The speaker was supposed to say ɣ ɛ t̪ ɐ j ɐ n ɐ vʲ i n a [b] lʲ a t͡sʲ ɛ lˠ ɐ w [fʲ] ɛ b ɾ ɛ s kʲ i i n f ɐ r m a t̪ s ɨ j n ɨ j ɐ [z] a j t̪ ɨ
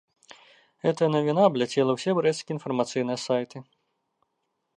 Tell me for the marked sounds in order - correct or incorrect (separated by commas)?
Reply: correct, incorrect, incorrect